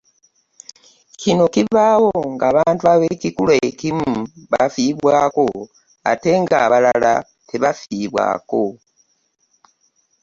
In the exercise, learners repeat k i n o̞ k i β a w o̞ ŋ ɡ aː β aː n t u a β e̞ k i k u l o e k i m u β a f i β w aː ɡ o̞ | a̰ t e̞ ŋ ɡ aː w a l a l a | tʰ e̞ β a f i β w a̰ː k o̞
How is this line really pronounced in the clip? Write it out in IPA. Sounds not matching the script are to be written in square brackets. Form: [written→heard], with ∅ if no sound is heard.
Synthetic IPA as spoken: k i n o̞ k i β a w o̞ ŋ ɡ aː β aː n t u a β e̞ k i k u l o e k i m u β a f i β w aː [ɡ→k] o̞ | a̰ t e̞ ŋ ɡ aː [w→β] a l a l a | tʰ e̞ β a f i β w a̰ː k o̞